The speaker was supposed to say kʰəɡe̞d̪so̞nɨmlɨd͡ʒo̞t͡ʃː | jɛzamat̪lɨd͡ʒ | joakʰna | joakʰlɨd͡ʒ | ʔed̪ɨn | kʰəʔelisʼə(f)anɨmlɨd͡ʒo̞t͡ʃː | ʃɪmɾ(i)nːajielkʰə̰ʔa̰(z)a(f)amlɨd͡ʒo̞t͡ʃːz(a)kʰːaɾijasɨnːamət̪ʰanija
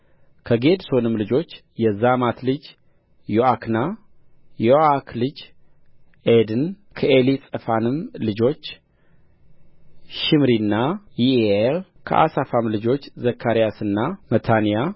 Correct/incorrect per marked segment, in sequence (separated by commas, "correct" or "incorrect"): correct, correct, incorrect, correct, incorrect